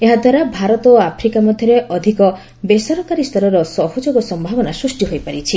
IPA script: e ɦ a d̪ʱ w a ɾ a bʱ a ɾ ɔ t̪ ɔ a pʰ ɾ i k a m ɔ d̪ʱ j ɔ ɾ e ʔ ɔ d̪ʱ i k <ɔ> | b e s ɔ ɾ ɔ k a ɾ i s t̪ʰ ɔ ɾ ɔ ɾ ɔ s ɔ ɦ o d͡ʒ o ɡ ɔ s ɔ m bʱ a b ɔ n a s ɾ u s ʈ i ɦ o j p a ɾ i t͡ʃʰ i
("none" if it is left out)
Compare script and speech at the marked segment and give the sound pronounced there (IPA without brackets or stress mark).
ɔ